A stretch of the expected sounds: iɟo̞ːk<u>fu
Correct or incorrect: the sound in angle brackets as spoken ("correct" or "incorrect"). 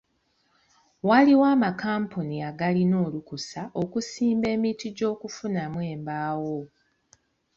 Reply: correct